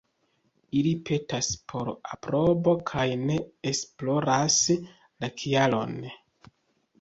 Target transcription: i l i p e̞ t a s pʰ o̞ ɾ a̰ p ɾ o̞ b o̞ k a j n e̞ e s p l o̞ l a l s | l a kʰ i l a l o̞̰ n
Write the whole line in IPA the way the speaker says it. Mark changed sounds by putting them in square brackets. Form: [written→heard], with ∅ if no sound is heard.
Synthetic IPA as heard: i l i p e̞ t a s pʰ o̞ ɾ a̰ p ɾ o̞ b o̞ [k→kʰ] a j n e̞ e s p l o̞ [l→ɾ] a [l→∅] s | l a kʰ i [l→∅] a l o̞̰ n